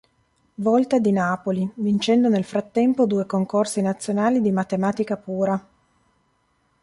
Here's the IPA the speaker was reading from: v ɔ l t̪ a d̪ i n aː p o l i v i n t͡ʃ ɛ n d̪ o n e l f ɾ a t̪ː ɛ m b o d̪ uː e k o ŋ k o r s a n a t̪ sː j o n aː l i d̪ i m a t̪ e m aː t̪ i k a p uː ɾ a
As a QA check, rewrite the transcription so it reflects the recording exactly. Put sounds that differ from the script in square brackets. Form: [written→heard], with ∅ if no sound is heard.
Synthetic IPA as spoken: v ɔ l t̪ a d̪ i n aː p o l i v i n t͡ʃ ɛ n d̪ o n e l f ɾ a t̪ː ɛ m [b→p] o d̪ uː e k o ŋ k o r s [a→i] n a t̪ sː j o n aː l i d̪ i m a t̪ e m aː t̪ i k a p uː ɾ a